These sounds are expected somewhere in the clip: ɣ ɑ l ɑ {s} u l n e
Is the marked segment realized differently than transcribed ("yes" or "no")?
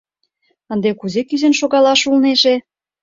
yes